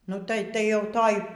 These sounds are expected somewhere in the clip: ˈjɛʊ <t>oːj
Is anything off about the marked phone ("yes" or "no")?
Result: no